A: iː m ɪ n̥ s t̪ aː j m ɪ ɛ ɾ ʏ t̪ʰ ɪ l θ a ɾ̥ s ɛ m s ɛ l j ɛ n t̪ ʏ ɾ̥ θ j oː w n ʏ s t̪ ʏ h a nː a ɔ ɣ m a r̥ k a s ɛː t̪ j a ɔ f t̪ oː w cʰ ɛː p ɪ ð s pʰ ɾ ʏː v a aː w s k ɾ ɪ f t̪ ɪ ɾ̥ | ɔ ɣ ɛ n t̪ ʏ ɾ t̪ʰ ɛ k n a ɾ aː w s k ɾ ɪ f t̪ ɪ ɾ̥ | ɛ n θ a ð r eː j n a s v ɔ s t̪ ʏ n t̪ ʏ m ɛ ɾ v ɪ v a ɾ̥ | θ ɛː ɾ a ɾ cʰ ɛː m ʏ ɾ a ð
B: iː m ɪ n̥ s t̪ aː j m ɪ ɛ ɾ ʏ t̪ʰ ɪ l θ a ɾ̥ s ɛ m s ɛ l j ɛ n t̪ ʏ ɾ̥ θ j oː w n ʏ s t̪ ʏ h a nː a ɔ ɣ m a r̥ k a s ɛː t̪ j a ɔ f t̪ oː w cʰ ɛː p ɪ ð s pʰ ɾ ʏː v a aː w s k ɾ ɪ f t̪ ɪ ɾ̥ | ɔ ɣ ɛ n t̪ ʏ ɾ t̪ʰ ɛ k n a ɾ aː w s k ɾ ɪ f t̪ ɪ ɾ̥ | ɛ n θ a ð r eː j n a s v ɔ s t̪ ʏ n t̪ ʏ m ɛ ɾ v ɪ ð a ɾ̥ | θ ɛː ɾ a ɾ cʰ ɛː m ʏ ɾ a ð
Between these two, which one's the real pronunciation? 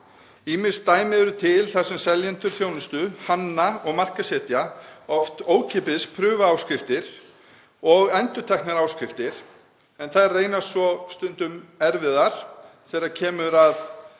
B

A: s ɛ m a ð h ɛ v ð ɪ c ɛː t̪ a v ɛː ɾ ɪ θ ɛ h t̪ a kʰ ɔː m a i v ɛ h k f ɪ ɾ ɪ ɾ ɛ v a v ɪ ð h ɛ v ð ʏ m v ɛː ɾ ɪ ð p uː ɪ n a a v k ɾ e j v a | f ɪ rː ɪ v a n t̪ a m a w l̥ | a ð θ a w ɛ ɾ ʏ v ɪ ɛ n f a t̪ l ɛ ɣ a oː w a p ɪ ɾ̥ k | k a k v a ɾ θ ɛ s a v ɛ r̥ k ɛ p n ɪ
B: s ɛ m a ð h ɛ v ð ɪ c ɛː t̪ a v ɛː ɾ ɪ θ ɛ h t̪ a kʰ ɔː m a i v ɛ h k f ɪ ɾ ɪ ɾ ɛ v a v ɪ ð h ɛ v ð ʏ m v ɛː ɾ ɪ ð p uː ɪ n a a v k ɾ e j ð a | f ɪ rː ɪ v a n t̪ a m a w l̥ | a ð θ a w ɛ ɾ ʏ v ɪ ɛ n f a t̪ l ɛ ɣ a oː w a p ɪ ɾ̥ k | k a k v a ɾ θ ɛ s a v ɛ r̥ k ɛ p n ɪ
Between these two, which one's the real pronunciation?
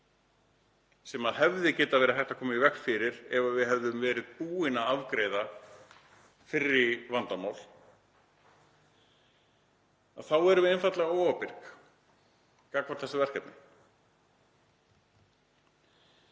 B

